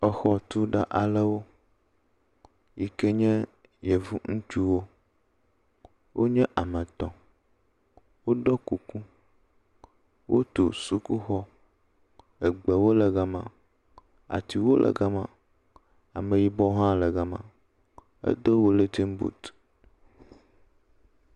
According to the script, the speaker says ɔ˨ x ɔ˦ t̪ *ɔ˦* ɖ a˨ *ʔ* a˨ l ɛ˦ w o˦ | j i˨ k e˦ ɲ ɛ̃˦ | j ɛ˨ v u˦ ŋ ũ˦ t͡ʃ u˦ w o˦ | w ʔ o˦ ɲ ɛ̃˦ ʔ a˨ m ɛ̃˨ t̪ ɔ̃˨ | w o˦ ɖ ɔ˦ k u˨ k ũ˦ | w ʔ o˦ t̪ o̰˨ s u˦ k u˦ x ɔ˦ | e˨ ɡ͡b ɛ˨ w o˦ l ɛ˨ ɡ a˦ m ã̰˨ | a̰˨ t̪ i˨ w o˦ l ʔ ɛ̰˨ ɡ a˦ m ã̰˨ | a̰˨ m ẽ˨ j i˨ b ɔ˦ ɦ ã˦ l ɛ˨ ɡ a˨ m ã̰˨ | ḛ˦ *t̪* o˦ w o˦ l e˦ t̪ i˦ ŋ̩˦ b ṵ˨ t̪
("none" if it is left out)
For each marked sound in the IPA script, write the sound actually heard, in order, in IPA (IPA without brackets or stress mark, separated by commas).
u˦, ʔ, d̪